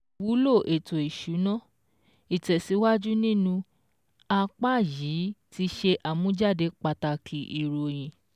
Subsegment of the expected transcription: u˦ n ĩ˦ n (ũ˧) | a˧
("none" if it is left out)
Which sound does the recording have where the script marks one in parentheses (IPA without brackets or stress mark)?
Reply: ũ˧